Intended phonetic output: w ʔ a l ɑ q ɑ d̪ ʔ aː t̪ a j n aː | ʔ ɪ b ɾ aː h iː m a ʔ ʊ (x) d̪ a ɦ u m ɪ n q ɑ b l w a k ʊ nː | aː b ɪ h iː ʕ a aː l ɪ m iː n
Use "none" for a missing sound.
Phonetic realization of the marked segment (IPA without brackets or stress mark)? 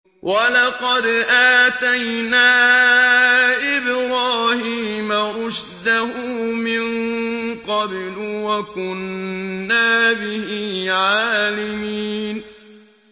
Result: ʃ